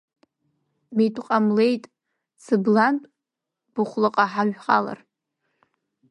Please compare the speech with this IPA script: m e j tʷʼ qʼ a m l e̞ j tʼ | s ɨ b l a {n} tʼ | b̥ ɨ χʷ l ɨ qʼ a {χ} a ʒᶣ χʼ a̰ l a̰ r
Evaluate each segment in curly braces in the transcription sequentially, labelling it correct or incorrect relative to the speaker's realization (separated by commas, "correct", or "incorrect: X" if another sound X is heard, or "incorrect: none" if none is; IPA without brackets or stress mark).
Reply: correct, incorrect: ħ